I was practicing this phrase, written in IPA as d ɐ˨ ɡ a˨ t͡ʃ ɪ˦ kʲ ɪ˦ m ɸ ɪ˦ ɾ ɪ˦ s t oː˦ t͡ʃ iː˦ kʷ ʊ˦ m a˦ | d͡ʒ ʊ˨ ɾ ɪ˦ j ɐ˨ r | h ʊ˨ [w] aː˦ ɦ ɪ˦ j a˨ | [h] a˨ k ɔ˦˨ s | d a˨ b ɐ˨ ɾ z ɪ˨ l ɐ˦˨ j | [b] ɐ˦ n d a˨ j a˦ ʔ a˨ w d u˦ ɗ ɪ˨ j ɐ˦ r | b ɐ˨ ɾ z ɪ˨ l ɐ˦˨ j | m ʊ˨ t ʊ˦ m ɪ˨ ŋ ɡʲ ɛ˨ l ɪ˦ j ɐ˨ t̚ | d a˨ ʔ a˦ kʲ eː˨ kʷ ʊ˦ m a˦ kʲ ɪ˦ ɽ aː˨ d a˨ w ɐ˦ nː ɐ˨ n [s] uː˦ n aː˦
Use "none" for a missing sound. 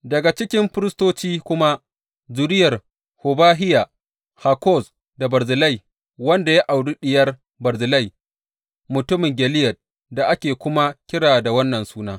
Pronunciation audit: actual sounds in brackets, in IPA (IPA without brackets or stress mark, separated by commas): b, h, w, s